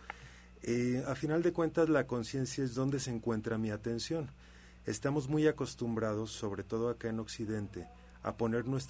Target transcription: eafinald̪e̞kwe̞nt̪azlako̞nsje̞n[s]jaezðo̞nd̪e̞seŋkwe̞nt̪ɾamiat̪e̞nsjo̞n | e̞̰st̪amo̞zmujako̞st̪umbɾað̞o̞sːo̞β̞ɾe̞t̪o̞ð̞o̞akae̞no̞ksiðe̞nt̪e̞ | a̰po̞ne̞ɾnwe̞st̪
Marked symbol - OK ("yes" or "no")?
yes